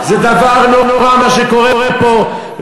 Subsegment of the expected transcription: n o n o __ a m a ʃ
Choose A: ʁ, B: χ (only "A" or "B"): A